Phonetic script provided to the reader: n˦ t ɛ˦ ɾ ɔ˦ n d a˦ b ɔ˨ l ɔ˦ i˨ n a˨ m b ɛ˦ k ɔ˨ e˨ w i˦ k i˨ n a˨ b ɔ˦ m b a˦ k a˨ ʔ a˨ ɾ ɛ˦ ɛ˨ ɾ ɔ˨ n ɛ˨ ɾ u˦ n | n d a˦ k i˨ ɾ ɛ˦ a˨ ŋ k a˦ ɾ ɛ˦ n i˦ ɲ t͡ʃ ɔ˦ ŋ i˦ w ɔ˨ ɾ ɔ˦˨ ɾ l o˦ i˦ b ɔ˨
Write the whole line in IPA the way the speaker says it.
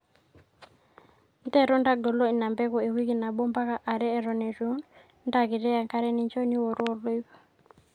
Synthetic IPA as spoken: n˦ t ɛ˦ ɾ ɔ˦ n d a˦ ɡ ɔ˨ l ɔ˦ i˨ n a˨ m b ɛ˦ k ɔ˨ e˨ w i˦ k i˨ n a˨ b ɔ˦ m b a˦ k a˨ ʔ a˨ ɾ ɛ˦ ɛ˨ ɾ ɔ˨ n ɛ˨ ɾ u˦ n | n d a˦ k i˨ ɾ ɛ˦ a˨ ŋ k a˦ ɾ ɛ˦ n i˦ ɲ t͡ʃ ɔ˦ n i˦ w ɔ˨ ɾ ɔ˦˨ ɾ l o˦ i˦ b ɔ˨